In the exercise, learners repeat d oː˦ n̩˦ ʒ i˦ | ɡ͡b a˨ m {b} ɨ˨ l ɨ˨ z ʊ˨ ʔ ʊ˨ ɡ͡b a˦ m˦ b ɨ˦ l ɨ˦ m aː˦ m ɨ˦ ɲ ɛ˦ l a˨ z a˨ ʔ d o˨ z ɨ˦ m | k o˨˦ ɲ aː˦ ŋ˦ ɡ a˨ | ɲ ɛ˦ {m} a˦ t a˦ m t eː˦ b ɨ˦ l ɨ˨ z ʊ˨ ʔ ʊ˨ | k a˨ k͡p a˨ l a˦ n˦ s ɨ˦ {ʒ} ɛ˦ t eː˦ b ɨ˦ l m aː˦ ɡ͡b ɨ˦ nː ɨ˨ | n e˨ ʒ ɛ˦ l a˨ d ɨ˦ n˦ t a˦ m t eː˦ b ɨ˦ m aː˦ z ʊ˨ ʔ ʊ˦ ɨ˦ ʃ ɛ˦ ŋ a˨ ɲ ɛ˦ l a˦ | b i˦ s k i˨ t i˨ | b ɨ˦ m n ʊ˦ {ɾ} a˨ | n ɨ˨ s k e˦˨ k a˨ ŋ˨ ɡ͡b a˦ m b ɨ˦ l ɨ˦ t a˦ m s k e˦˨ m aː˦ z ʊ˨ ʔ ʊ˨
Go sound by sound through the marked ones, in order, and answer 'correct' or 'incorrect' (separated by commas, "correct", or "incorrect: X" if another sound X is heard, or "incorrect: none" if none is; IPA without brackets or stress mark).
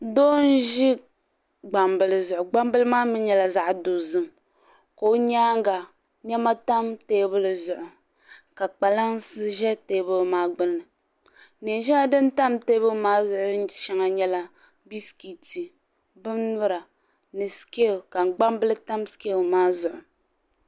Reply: correct, correct, correct, correct